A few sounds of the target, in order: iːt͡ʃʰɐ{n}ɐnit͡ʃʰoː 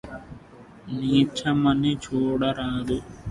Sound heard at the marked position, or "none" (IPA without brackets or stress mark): m